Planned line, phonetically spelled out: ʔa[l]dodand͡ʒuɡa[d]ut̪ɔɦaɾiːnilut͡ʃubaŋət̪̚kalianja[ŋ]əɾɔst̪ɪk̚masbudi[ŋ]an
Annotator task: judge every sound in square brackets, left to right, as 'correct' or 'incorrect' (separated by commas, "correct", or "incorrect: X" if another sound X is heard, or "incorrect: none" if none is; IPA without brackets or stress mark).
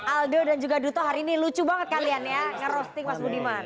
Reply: correct, correct, correct, incorrect: m